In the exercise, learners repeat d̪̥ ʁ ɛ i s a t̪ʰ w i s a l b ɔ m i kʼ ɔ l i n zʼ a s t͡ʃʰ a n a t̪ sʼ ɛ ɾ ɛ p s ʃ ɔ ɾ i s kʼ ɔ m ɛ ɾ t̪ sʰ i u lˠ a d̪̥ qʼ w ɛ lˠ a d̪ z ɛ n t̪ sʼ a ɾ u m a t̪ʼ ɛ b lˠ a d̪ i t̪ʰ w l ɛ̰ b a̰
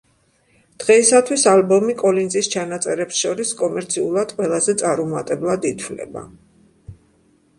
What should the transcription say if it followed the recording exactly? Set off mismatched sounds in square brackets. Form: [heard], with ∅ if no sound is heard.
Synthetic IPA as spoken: d̪̥ ʁ ɛ i s a t̪ʰ w i s a l b ɔ m i kʼ ɔ l i n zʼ [i] s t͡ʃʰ a n a t̪ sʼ ɛ ɾ ɛ p s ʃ ɔ ɾ i s kʼ ɔ m ɛ ɾ t̪ sʰ i u lˠ a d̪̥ qʼ w ɛ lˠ a [∅] z ɛ [∅] t̪ sʼ a ɾ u m a t̪ʼ ɛ b lˠ a d̪ i t̪ʰ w l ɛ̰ b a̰